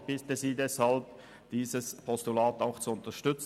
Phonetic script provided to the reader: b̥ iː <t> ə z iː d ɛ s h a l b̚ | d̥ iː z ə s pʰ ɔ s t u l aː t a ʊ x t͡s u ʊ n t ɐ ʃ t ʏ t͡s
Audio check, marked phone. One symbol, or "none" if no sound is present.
t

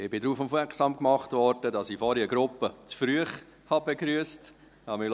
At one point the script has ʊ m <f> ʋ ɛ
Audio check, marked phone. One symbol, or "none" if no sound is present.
f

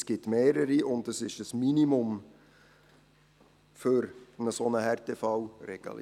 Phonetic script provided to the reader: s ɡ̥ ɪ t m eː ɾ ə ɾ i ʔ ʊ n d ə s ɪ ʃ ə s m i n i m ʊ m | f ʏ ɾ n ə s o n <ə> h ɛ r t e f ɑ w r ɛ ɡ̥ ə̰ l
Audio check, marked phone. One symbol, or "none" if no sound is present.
ə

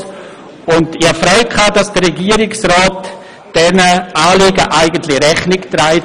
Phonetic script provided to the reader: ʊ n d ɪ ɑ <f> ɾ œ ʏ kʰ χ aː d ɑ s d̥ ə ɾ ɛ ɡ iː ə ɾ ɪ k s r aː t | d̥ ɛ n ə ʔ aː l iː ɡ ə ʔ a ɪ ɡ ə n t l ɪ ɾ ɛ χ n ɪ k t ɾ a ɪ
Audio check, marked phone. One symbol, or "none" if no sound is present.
f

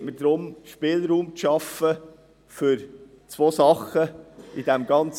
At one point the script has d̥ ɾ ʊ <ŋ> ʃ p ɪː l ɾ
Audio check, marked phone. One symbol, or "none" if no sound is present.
m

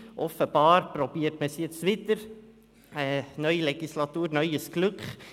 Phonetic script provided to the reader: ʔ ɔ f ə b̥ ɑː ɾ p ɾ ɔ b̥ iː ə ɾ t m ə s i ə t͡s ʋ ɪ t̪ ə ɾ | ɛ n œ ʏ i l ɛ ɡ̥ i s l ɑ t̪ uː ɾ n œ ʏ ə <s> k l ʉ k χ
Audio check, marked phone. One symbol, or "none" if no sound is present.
s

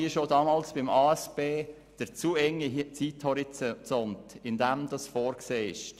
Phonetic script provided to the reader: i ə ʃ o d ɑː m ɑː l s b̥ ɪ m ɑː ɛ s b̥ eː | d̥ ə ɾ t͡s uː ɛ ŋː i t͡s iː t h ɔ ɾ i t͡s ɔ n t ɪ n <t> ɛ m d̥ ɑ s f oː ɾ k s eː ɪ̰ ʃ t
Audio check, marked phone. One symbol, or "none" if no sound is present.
d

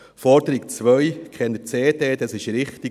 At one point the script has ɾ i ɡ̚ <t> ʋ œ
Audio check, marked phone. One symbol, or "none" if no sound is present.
t͡s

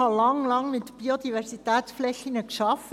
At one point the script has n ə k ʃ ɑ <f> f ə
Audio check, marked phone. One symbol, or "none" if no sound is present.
f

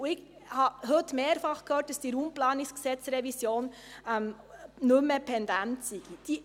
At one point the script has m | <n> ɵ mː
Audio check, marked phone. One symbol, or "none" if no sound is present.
n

